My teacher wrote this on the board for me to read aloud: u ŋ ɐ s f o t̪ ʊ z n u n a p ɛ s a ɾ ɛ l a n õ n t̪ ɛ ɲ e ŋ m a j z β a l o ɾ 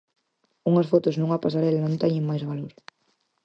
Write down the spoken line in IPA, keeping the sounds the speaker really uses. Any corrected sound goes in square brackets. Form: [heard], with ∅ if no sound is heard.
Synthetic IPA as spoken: u ŋ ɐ s f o t̪ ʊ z n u [ŋ] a p [a] s a ɾ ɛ l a n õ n t̪ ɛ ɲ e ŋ m a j z β a l o ɾ